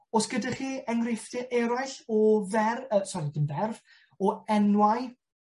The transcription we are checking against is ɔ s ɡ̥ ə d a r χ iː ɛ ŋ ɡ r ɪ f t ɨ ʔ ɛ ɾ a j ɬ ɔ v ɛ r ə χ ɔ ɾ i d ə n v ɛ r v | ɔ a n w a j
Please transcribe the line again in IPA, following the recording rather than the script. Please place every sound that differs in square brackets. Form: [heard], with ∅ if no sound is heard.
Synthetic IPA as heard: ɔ s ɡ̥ ə d a [∅] χ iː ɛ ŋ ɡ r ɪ f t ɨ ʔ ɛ ɾ a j ɬ ɔ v ɛ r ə [s] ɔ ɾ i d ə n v ɛ r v | ɔ [ɛ] n w a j